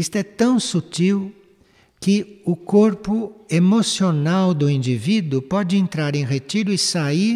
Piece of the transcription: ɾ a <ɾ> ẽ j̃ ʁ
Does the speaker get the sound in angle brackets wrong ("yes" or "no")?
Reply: no